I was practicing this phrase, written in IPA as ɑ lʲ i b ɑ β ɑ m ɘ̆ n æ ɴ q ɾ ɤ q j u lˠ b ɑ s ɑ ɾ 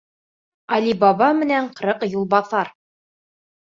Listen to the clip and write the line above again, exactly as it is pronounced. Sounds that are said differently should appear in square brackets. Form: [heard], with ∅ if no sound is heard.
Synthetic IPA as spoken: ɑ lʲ i b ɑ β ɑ m ɘ̆ n æ ɴ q ɾ ɤ q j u lˠ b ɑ [θ] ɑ ɾ